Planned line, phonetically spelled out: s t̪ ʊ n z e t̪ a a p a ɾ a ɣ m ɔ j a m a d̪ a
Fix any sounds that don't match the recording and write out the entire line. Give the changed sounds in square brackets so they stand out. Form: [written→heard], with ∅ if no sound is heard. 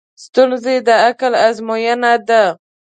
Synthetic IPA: s t̪ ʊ n z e [t̪→d̪] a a [p→k] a [ɾ→l] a [ɣ→z] m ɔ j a [m→n] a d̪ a